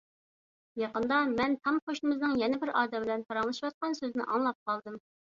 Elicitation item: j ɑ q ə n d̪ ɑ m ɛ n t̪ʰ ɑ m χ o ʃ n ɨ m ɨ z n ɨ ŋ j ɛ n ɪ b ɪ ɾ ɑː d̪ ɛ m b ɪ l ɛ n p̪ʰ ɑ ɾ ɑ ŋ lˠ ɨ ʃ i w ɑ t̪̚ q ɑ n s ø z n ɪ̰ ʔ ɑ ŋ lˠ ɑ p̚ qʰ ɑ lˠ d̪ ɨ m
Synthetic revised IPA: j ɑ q ə n d̪ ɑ m ɛ n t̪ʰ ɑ m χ o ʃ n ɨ m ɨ z n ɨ ŋ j ɛ n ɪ b ɪ ɾ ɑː d̪ ɛ m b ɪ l ɛ n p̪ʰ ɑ ɾ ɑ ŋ lˠ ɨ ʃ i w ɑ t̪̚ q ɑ n s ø z n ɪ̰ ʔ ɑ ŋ lˠ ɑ p̚ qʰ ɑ lˠ d̪ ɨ m